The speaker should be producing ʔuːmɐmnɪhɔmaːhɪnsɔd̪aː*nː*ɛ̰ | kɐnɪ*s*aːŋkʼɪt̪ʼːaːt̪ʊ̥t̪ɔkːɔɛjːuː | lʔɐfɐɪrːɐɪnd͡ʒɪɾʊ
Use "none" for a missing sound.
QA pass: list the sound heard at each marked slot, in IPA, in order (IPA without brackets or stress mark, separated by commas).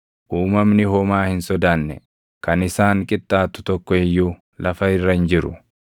nː, s